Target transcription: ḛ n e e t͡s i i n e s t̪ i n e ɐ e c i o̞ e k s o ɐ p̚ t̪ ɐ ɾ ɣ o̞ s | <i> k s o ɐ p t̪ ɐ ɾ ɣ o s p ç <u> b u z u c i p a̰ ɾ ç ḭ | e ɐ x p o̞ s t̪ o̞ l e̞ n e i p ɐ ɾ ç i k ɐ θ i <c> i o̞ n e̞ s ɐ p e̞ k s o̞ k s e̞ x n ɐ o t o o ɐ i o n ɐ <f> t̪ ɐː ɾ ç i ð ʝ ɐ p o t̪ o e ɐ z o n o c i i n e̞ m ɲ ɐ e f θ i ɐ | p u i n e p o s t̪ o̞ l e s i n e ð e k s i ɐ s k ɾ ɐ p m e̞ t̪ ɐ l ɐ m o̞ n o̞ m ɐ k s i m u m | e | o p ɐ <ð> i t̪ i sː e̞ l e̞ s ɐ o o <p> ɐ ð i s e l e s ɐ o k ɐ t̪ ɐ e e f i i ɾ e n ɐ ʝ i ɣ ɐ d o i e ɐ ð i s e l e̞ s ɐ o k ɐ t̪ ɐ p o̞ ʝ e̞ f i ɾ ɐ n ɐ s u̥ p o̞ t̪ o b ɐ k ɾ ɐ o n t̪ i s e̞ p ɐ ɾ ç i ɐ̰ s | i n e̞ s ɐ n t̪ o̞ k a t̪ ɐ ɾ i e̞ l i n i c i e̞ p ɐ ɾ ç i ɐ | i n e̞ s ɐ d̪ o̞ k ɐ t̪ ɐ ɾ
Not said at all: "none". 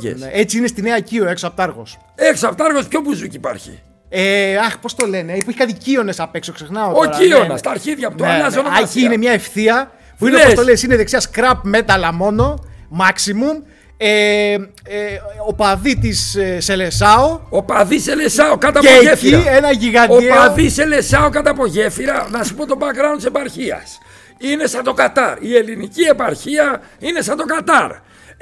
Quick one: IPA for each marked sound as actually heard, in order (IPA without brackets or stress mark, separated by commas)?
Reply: e, o, c, s, ð, p